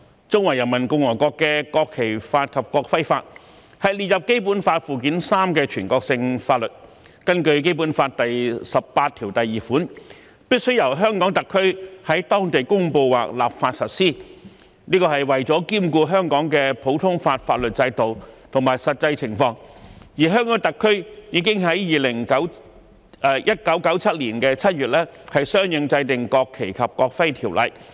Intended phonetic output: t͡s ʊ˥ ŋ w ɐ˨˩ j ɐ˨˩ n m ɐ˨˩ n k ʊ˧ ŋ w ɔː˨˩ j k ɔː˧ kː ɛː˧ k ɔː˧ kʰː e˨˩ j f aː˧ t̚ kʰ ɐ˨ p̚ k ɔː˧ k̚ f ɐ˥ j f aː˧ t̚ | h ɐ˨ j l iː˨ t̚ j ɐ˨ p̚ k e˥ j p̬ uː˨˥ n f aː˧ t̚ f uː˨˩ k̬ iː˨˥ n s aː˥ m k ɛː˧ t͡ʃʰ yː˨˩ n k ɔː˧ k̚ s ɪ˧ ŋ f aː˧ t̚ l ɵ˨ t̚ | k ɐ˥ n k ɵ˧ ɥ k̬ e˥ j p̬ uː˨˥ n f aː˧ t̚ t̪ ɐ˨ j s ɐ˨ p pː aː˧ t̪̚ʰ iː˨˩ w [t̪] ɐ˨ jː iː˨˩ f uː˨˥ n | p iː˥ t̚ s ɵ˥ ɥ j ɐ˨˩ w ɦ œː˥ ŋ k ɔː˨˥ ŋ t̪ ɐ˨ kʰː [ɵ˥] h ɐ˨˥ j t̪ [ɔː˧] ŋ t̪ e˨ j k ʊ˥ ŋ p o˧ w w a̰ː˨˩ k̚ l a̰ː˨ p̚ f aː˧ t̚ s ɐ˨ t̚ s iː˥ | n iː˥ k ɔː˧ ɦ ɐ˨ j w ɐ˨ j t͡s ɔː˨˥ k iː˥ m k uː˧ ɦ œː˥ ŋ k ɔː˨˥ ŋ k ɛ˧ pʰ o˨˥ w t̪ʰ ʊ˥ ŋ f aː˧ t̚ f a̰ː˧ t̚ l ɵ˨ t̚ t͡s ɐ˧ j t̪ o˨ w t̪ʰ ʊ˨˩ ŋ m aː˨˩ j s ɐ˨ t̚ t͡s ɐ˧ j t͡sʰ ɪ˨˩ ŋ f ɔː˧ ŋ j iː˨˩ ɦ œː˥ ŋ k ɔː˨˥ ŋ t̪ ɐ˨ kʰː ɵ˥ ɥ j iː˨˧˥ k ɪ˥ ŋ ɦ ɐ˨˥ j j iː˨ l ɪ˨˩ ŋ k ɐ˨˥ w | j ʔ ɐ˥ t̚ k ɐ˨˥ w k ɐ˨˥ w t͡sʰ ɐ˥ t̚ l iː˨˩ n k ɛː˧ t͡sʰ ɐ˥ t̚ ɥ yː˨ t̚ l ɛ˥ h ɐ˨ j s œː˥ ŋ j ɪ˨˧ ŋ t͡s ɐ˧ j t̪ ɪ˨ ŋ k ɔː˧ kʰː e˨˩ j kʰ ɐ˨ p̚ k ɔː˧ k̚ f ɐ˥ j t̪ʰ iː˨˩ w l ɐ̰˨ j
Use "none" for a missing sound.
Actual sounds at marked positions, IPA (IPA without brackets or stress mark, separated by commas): t̪, ɵ˥, ɔː˥